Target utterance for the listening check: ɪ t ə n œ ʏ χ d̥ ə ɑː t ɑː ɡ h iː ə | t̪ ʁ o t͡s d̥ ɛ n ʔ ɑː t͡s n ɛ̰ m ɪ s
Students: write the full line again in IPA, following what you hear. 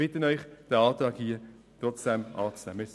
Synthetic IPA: ɪ t ə n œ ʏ χ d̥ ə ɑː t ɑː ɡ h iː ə | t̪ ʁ ɔ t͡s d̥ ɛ m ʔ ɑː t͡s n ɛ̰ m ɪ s